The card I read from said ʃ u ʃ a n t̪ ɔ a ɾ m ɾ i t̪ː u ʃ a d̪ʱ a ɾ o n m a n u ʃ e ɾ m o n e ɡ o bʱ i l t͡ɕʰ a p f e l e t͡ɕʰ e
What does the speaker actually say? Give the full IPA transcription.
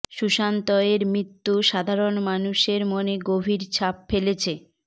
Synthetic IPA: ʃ u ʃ a n t̪ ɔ e ɾ m ɾ i t̪ː u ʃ a d̪ʱ a ɾ o n m a n u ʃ e ɾ m o n e ɡ o bʱ i ɾ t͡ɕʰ a p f e l e t͡ɕʰ e